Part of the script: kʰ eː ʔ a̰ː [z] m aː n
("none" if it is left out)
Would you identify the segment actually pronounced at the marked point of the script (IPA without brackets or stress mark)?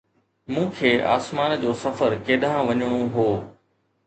s